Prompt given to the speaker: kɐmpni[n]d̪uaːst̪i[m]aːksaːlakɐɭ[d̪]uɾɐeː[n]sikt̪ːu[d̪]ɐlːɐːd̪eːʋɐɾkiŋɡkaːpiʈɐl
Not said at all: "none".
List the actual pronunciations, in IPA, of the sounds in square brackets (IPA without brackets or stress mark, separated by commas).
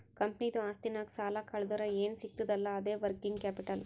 none, n, d̪, n, d̪